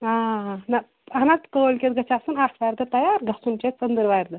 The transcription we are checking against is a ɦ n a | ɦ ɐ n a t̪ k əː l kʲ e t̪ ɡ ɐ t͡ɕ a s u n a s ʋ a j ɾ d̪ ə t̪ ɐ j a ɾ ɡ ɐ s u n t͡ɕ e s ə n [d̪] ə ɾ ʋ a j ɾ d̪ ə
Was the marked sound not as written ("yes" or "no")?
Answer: no